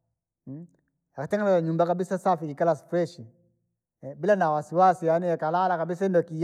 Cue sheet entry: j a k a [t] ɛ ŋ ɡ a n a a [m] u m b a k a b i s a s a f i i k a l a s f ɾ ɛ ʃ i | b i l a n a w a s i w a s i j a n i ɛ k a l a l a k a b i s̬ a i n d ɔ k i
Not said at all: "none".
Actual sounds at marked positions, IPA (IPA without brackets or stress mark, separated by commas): t, ɲ